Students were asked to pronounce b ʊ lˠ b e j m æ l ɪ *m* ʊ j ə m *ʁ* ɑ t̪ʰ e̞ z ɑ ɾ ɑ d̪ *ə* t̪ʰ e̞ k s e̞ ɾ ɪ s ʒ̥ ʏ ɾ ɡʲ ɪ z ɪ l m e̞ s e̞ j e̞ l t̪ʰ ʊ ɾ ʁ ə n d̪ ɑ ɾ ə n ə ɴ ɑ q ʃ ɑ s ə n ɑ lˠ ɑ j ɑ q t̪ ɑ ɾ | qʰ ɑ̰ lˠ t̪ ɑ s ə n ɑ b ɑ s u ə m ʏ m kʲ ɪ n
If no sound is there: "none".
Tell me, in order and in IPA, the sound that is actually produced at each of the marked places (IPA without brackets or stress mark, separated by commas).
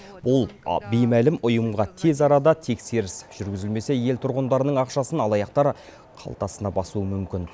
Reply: m, ʁ, ɑ